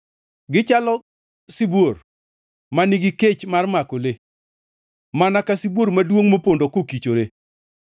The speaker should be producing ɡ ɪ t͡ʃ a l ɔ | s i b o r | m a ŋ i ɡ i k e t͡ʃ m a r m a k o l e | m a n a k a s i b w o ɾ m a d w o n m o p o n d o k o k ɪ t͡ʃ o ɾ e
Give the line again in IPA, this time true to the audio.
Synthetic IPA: ɡ ɪ t͡ʃ a l ɔ | s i b o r | m a n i ɡ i k e t͡ʃ m a r m a k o l e | m a n a k a s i b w o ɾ m a d w o ŋ m o p o n d o k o k i t͡ʃ o ɾ e